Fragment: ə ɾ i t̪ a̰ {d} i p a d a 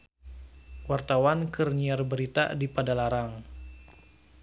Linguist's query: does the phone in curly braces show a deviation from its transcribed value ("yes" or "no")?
no